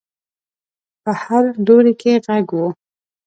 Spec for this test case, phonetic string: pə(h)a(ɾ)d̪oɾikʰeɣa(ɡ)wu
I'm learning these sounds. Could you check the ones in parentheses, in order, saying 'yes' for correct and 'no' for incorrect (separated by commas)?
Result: yes, yes, yes